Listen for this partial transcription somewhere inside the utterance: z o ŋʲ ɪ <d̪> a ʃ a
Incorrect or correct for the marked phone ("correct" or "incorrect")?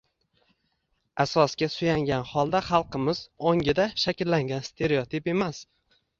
correct